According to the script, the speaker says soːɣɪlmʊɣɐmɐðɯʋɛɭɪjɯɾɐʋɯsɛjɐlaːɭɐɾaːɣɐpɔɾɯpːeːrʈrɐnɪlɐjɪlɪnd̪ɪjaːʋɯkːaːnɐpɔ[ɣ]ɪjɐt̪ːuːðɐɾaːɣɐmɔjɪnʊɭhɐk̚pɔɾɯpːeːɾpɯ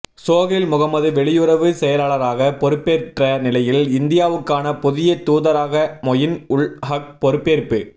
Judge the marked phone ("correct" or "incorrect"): incorrect